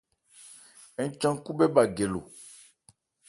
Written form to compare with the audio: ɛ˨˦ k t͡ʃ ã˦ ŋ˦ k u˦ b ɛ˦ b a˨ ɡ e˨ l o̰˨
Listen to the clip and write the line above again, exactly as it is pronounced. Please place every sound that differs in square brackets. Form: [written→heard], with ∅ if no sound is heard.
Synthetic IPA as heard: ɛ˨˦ [k→∅] t͡ʃ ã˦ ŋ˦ k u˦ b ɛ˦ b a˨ ɡ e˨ l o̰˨